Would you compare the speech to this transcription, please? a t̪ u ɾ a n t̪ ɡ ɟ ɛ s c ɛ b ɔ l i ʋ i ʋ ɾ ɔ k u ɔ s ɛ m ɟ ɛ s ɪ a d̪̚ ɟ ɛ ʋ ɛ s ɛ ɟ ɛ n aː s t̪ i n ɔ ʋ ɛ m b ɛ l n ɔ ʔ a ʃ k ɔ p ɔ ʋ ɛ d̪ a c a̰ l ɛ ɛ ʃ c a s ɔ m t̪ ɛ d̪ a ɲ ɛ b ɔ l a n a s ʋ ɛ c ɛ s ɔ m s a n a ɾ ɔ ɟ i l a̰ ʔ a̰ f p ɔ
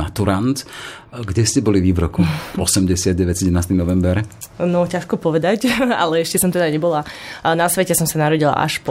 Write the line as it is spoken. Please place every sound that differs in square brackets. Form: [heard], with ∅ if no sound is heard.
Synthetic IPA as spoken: a t̪ u ɾ a n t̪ ɡ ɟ ɛ s c ɛ b ɔ l i ʋ i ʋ ɾ ɔ k u ɔ s ɛ m ɟ ɛ s ɪ a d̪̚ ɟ ɛ ʋ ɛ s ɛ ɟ ɛ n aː s t̪ i n ɔ ʋ ɛ m b ɛ [ɾ] n ɔ [c] a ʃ k ɔ p ɔ ʋ ɛ d̪ a c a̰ l ɛ ɛ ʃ c [ɛ] s ɔ m t̪ ɛ d̪ a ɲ ɛ b ɔ l a n a s ʋ ɛ c ɛ s ɔ m s a n a ɾ ɔ ɟ i l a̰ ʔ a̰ [ʃ] p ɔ